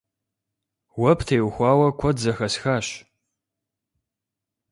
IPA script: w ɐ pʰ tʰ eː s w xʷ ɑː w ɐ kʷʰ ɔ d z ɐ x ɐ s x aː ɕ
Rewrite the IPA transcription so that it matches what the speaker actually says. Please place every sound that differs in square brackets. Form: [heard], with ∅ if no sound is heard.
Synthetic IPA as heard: w ɐ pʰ tʰ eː [∅] w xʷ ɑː w ɐ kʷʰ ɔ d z ɐ x ɐ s x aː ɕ